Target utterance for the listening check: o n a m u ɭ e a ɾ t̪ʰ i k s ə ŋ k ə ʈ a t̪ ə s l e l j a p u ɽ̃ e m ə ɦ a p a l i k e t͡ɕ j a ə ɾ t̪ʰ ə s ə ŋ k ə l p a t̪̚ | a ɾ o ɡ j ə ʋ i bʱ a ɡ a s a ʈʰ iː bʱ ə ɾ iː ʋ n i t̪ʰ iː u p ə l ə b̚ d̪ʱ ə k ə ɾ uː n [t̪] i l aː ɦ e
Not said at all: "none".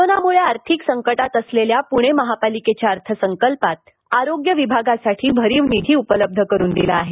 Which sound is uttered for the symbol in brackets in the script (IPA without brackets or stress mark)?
d̪